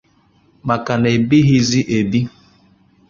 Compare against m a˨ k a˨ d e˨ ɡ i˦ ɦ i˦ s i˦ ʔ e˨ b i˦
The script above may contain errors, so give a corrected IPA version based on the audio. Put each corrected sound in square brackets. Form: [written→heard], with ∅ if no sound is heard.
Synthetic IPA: m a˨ k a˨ [d→n] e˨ [ɡ→b] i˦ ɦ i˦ [s→z] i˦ ʔ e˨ b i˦